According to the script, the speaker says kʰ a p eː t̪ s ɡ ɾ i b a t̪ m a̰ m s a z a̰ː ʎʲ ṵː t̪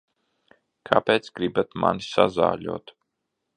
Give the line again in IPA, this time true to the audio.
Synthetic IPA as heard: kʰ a p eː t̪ s ɡ ɾ i b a t̪ m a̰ n s a z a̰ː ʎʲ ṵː t̪